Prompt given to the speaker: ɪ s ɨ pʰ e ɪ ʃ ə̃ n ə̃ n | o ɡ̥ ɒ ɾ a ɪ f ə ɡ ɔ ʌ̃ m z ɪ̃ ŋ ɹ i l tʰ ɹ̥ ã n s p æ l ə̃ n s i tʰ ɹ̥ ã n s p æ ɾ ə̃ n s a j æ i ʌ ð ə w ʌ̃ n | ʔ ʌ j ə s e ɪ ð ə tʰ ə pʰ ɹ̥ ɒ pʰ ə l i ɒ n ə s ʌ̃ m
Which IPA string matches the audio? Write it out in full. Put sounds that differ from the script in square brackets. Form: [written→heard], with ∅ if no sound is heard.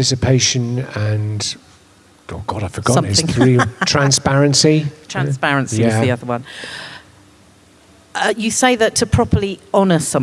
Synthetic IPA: ɪ s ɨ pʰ e ɪ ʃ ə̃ n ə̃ n | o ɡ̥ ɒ ɾ a ɪ f ə ɡ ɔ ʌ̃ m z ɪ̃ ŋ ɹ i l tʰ ɹ̥ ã n s p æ [l→ɹ] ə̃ n s i tʰ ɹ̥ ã n s p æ [ɾ→ɹ] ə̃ n s [a→i] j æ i ʌ ð ə w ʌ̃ n | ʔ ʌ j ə s e ɪ ð ə tʰ ə pʰ ɹ̥ ɒ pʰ ə l i ɒ n ə s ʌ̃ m